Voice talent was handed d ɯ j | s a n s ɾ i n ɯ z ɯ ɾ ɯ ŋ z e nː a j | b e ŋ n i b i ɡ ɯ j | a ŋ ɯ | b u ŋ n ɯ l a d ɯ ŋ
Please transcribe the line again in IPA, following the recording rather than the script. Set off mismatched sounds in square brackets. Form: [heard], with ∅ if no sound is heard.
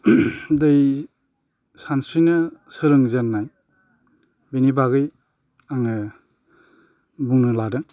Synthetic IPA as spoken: d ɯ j | s a n s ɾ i n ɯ [s] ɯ ɾ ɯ ŋ z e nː a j | b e [∅] n i b [a] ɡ ɯ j | a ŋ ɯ | b u ŋ n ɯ l a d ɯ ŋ